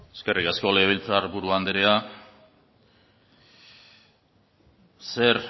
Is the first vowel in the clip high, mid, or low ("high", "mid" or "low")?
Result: mid